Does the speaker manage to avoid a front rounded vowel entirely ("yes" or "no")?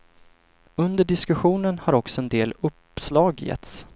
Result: yes